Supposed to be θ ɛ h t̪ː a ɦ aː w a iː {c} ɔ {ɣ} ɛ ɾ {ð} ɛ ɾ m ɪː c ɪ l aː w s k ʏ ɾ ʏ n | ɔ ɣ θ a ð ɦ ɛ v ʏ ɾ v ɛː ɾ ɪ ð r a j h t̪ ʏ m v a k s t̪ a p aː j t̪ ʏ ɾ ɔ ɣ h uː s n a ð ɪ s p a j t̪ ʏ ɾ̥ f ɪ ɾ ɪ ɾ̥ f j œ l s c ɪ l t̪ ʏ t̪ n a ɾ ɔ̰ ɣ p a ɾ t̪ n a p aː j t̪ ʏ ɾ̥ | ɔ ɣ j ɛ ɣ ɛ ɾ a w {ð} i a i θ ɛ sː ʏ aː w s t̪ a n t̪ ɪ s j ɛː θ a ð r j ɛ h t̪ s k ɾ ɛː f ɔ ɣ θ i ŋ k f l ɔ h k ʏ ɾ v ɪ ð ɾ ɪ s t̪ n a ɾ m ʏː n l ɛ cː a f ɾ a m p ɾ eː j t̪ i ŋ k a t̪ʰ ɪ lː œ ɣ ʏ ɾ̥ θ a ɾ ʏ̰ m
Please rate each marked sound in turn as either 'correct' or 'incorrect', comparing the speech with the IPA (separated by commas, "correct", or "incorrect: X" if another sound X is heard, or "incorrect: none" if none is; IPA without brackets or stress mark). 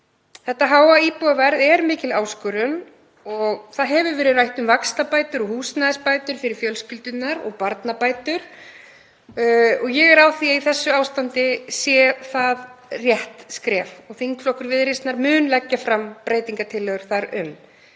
incorrect: p, incorrect: v, correct, incorrect: θ